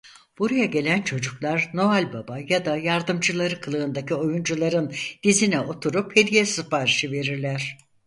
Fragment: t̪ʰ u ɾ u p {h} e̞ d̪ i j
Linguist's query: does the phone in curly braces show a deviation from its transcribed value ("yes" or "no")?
no